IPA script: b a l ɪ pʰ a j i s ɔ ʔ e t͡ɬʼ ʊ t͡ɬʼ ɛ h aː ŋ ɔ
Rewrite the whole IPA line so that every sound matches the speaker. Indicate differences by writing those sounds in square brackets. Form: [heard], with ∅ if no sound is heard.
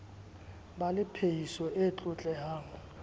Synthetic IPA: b a l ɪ pʰ [e] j i s ɔ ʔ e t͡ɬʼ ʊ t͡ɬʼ ɛ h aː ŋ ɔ